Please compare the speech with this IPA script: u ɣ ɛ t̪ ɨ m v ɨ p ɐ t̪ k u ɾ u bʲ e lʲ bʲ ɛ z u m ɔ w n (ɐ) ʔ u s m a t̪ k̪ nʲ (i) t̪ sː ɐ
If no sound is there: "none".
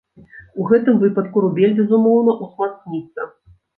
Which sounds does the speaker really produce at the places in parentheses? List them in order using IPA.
ɐ, i

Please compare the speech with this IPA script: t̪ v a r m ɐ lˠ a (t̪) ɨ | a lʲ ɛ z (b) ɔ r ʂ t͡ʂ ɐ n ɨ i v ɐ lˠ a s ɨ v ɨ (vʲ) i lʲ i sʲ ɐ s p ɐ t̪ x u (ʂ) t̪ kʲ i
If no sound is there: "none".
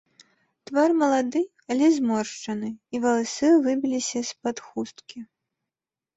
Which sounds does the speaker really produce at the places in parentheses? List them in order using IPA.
d̪, m, bʲ, s

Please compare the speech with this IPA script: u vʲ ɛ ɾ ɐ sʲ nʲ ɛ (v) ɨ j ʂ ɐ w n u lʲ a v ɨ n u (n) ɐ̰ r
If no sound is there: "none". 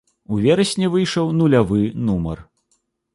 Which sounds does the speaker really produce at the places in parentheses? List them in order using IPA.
v, m

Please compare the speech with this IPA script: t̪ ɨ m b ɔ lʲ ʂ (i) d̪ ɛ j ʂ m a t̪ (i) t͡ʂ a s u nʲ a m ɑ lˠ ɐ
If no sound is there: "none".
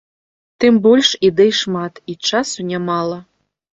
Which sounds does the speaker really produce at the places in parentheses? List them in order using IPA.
i, i

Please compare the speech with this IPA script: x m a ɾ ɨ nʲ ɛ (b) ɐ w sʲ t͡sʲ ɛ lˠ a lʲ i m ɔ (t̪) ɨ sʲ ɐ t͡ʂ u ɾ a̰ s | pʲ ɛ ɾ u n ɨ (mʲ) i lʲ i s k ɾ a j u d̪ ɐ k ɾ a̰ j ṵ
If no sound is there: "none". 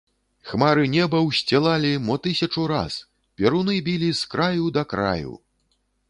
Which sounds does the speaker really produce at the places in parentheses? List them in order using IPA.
b, t̪, bʲ

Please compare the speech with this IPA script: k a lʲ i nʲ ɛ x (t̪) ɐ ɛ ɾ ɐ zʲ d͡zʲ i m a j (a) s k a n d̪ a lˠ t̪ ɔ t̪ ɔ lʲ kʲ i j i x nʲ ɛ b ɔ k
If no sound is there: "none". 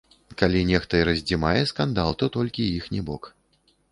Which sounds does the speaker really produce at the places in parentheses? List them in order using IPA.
t̪, ɛ

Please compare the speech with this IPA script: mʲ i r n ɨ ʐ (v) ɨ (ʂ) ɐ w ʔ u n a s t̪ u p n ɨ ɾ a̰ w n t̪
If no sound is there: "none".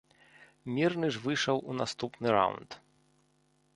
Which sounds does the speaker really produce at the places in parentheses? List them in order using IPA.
v, ʂ

